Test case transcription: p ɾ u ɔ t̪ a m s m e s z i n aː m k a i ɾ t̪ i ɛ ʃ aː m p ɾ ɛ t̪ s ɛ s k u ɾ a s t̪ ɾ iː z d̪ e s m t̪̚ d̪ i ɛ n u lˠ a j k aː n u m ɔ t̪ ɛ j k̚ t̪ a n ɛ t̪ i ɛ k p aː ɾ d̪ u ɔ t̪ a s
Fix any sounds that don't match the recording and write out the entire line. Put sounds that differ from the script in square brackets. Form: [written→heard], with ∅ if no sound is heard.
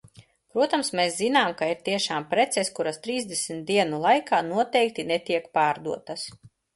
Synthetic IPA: p ɾ u ɔ t̪ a m s m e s z i n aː m k a i ɾ t̪ i ɛ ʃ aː m p ɾ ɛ t̪ s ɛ s k u ɾ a s t̪ ɾ iː z d̪ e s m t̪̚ d̪ i ɛ n u lˠ a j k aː n u [m→∅] ɔ t̪ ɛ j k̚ t̪ [a→i] n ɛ t̪ i ɛ k p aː ɾ d̪ u ɔ t̪ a s

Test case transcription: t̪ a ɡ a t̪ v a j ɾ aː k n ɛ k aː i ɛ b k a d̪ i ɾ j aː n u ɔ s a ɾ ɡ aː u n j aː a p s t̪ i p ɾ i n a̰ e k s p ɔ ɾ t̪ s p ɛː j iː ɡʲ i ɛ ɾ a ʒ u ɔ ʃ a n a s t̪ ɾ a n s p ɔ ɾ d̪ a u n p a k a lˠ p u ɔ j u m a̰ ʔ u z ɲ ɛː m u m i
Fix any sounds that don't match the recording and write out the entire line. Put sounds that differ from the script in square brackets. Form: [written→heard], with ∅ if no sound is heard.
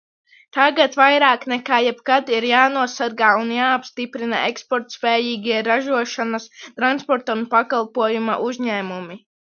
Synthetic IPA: t̪ a ɡ a t̪ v a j ɾ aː k n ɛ k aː [i→j] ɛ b k a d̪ i ɾ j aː n u ɔ s a ɾ ɡ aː u n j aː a p s t̪ i p ɾ i n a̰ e k s p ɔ ɾ t̪ s p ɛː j iː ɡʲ i ɛ ɾ a ʒ u ɔ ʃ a n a s t̪ ɾ a n s p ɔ ɾ [d̪→t̪] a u n p a k a lˠ p u ɔ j u m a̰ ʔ u z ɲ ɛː m u m i

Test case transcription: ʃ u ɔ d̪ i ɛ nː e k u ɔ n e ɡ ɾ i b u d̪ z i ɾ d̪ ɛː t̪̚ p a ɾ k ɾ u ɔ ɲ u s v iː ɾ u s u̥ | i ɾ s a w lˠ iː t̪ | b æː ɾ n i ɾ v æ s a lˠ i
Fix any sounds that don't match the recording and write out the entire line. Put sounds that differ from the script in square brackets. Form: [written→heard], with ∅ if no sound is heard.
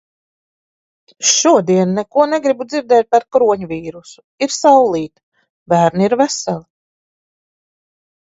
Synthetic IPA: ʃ u ɔ d̪ i ɛ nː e k u ɔ n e ɡ ɾ i b u d̪ z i ɾ d̪ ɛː t̪̚ p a ɾ k ɾ u ɔ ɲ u [s→∅] v iː ɾ u s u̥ | i ɾ s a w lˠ iː t̪ | b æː ɾ n i ɾ v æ s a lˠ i

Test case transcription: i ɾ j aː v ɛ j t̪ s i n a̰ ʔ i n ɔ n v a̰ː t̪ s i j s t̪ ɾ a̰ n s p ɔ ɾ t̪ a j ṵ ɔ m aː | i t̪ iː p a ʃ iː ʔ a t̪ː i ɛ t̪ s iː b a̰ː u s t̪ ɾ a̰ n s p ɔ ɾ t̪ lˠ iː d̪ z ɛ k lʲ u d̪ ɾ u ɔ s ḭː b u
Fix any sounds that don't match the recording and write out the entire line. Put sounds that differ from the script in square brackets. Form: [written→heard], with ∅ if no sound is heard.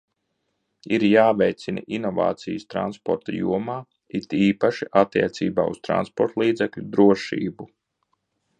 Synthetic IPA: i ɾ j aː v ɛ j t̪ s i n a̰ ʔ i n ɔ [n→∅] v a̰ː t̪ s i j s t̪ ɾ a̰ n s p ɔ ɾ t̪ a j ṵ ɔ m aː | i t̪ iː p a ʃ [iː→i] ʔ a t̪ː i ɛ t̪ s iː b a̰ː u s t̪ ɾ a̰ n s p ɔ ɾ t̪ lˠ iː d̪ z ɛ k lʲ u d̪ ɾ u ɔ [s→ʃ] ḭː b u

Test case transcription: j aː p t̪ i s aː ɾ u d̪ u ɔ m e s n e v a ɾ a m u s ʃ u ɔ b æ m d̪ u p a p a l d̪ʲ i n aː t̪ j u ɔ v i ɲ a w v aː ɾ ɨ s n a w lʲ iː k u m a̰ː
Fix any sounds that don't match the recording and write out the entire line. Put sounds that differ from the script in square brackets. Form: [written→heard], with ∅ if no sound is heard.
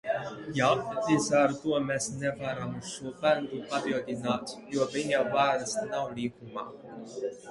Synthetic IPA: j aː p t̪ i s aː ɾ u [d̪→t̪] u ɔ m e s n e v a ɾ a m u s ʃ u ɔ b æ [m→n] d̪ u p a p [a→i] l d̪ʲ i n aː t̪ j u ɔ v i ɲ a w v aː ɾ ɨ s n a w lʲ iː k u m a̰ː

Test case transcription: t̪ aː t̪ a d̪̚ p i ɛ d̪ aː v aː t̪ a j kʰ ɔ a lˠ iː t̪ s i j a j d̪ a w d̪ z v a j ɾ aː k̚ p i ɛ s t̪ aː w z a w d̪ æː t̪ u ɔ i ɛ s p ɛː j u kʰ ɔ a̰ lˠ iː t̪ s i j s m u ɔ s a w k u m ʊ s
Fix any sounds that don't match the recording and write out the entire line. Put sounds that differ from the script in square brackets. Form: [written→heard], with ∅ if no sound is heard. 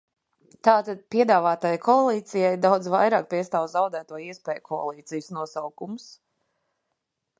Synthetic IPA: t̪ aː t̪ a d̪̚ p i ɛ d̪ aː v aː t̪ a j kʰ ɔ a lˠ iː t̪ s i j a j d̪ a w d̪ z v a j ɾ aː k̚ p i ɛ s t̪ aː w z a w d̪ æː t̪ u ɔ i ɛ s p ɛː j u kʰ ɔ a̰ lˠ iː t̪ s i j s [m→n] u ɔ s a w k u m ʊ s

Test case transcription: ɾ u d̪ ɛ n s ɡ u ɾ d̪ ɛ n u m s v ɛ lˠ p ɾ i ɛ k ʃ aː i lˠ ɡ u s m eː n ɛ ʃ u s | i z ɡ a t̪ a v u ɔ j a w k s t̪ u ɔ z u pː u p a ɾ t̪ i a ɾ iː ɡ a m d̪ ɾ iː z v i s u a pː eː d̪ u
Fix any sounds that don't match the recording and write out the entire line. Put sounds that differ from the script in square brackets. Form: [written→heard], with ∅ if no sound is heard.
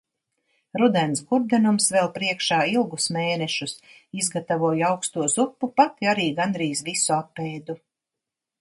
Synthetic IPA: ɾ u d̪ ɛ n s ɡ u ɾ d̪ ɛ n u m s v ɛ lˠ p ɾ i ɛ k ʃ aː i lˠ ɡ u s m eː n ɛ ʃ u s | i z ɡ a t̪ a v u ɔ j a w k s t̪ u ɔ z u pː u p a [ɾ→∅] t̪ i a ɾ iː ɡ a [m→n] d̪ ɾ iː z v i s u a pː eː d̪ u

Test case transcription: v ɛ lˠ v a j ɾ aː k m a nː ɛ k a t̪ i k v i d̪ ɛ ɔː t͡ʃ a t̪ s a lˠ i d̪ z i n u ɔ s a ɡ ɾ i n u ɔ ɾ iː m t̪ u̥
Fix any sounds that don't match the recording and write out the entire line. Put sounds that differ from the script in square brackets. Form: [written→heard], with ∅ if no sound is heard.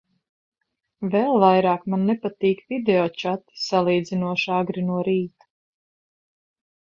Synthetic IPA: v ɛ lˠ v a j ɾ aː k m a nː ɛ [k→p] a t̪ [i→iː] k v i d̪ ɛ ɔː t͡ʃ a t̪ s a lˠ [i→iː] d̪ z i n u ɔ [s→ʃ] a ɡ ɾ i n u ɔ ɾ iː [m→∅] t̪ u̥

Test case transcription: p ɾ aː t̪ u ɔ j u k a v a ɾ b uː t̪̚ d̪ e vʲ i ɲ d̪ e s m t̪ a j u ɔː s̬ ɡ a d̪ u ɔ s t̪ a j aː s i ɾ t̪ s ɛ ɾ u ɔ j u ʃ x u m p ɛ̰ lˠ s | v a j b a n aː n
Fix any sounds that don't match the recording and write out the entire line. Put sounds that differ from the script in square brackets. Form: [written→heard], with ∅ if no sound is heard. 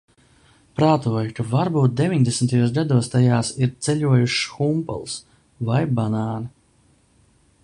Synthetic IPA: p ɾ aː t̪ u ɔ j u k a v a ɾ b uː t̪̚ d̪ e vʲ i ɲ d̪ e s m t̪ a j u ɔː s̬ ɡ a d̪ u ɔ s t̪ a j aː s i ɾ t̪ s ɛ [ɾ→ʎ] u ɔ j u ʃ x u m p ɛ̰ lˠ s | v a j b a n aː n

